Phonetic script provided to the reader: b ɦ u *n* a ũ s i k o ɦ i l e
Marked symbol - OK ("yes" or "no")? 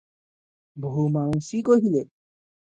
no